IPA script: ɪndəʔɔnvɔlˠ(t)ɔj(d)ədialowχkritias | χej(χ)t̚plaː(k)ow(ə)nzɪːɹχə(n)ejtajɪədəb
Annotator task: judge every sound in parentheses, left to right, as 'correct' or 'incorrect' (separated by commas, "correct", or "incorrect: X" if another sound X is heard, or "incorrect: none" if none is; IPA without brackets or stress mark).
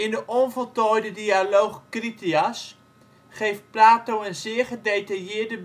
correct, correct, incorrect: f, incorrect: t, correct, incorrect: d